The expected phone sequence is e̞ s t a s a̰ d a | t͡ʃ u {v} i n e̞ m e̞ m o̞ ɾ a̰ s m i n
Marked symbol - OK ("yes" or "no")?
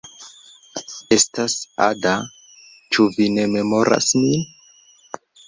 yes